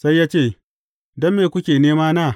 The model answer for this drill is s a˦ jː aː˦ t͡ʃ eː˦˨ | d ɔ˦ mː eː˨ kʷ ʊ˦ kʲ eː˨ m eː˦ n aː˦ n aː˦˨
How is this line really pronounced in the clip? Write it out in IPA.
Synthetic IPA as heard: s a˦ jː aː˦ t͡ʃ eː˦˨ | d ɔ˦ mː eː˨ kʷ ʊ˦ kʲ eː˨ n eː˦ m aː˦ n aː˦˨